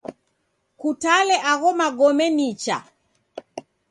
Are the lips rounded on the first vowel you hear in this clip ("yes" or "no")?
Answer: yes